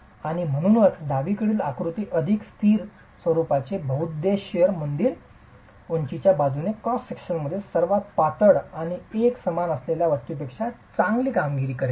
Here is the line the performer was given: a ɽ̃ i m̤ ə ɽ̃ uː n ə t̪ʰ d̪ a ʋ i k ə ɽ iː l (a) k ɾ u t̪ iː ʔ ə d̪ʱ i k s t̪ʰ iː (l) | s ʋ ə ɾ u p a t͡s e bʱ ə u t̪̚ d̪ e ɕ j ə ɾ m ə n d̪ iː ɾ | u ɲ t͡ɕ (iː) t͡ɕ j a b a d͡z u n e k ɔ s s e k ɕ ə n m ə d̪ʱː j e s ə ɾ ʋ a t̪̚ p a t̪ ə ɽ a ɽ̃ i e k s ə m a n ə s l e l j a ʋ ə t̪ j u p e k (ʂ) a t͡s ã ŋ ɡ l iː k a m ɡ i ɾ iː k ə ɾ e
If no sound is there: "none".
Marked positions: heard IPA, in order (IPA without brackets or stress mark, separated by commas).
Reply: a, ɾ, i, ʂ